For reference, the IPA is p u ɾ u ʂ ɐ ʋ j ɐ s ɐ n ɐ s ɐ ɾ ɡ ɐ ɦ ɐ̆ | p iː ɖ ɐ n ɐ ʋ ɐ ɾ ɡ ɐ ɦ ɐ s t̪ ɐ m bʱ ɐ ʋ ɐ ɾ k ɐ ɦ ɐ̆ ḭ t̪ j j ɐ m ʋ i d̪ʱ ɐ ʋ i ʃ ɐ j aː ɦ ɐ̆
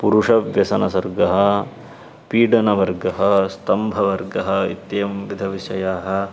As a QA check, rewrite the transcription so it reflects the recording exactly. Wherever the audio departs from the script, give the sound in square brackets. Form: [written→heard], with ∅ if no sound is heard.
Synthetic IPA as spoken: p u ɾ u ʂ ɐ ʋ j ɐ s ɐ n ɐ s ɐ ɾ ɡ ɐ ɦ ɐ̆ | p iː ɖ ɐ n ɐ ʋ ɐ ɾ ɡ ɐ ɦ ɐ s t̪ ɐ m bʱ ɐ ʋ ɐ ɾ [k→ɡ] ɐ ɦ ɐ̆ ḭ t̪ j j ɐ m ʋ i d̪ʱ ɐ ʋ i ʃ ɐ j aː ɦ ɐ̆